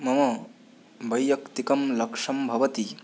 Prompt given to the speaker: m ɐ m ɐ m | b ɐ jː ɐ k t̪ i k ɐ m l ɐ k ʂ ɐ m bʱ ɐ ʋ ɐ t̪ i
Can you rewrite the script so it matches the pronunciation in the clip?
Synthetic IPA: m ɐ m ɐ | b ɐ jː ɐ k t̪ i k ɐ m l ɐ k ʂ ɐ m bʱ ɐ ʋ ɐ t̪ i